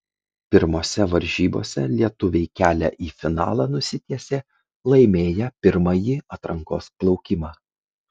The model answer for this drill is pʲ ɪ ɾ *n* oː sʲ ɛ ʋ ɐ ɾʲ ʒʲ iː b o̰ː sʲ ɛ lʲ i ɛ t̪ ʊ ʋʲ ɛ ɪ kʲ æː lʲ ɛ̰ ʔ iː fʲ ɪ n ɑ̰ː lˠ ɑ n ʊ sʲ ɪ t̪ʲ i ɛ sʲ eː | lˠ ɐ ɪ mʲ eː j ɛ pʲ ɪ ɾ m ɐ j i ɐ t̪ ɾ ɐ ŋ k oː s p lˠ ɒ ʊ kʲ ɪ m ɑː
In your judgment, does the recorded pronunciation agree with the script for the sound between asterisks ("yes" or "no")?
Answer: no